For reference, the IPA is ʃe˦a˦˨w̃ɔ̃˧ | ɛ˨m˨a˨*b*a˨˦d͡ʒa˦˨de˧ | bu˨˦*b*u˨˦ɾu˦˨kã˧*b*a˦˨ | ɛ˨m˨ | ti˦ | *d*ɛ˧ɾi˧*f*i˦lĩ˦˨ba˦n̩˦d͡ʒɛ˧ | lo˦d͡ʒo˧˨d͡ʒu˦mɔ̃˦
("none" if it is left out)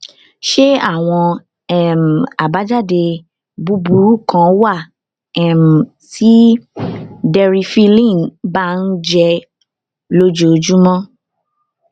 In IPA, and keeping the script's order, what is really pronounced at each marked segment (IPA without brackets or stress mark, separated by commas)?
b, b, w, d, f